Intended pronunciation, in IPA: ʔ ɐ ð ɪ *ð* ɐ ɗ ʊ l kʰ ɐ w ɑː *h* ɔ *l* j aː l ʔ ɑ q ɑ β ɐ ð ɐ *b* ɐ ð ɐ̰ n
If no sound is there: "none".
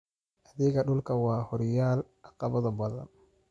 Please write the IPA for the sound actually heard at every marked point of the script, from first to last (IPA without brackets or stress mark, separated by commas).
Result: ɣ, h, ɾ, b